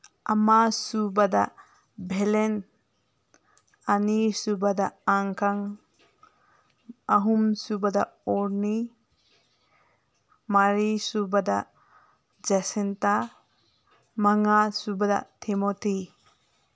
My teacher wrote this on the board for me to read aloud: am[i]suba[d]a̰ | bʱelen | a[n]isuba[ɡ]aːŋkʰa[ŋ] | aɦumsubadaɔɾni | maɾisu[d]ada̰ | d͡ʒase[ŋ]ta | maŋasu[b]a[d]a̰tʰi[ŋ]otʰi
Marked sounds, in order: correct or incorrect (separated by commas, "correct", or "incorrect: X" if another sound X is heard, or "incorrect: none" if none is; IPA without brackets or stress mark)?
incorrect: a, correct, correct, incorrect: d, correct, incorrect: b, incorrect: n, correct, correct, incorrect: m